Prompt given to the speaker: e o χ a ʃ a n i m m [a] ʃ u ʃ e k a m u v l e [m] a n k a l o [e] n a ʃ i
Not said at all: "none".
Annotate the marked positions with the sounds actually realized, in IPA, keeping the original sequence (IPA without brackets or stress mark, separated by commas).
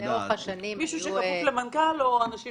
i, m, a